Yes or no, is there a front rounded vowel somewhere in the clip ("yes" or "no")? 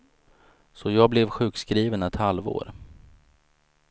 no